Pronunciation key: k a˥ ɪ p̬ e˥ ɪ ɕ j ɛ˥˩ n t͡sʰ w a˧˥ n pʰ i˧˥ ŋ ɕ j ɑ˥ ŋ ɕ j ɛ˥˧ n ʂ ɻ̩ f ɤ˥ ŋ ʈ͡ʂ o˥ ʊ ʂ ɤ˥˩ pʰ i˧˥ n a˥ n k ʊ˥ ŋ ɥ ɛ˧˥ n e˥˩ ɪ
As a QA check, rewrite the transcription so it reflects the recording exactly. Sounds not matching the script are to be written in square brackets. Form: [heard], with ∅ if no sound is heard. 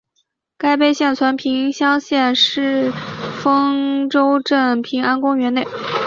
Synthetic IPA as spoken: k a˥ ɪ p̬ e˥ ɪ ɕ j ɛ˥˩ n t͡sʰ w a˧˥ n pʰ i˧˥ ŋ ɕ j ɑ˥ ŋ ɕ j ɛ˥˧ n ʂ ɻ̩ f ɤ˥ ŋ ʈ͡ʂ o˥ ʊ [ʈ͡ʂ] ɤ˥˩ pʰ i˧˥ [ŋ] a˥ n k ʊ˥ ŋ ɥ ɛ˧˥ n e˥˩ ɪ